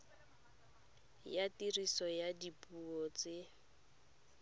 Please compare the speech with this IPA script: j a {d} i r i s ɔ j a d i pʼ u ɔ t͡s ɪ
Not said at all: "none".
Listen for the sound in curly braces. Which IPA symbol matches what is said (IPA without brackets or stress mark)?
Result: t